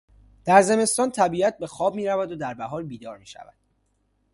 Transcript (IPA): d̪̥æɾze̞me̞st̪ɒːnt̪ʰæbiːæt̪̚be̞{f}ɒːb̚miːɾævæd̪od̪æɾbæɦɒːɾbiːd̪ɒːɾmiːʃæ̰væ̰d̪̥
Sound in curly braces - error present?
yes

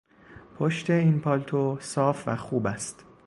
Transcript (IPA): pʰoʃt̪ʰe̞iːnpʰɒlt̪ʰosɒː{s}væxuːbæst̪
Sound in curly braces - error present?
yes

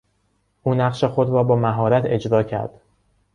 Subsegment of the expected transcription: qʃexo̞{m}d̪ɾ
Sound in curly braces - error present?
yes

